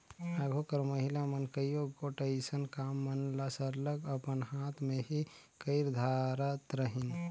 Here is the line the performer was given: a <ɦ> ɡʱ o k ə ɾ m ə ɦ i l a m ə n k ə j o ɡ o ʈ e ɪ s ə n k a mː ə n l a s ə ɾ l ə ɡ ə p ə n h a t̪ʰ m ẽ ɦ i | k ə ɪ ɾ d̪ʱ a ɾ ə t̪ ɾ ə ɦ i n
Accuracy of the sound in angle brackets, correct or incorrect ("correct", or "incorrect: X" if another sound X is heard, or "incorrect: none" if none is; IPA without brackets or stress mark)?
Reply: incorrect: none